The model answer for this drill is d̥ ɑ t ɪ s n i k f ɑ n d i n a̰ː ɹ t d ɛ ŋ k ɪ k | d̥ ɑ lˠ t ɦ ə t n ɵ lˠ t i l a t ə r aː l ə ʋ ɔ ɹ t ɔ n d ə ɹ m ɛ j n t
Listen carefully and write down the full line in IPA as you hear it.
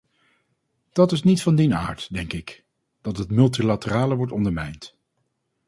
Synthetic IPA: d̥ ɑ t ɪ s n i t f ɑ n d i n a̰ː ɹ t d ɛ ŋ k ɪ k | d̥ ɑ t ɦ ə t m ɵ lˠ t i l a t ə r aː l ə ʋ ɔ ɹ t ɔ n d ə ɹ m ɛ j n t